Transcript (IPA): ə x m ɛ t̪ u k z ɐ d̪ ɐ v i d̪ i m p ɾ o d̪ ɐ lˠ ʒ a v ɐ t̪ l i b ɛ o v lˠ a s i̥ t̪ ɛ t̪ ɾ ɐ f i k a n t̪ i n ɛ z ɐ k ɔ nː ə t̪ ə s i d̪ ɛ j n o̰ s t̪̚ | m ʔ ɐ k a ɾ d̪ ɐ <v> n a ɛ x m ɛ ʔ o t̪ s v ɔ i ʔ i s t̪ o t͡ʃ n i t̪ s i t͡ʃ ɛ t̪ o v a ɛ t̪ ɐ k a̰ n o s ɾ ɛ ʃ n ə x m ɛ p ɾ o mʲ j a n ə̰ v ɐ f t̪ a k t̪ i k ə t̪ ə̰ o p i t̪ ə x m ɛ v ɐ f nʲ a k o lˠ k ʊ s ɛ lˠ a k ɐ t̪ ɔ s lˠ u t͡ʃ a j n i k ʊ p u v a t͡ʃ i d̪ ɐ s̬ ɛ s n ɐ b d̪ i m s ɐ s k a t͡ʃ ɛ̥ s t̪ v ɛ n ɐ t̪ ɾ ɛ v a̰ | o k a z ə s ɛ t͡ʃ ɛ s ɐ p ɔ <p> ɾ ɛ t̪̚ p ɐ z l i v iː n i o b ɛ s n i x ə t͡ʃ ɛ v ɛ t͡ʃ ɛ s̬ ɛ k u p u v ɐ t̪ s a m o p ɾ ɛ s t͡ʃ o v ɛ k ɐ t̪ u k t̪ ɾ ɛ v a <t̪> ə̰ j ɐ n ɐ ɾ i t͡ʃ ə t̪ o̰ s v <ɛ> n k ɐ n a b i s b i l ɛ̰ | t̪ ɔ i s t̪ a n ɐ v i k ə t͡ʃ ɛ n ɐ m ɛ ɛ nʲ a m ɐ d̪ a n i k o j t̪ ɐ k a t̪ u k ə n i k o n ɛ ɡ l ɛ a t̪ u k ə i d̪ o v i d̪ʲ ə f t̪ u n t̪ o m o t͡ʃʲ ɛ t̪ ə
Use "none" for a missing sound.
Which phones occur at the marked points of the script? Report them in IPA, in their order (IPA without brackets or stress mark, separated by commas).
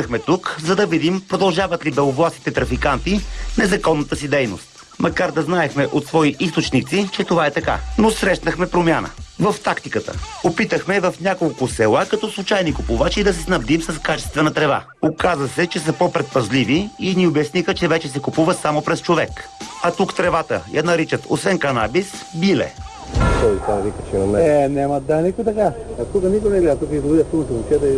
z, p, t̪, ɛ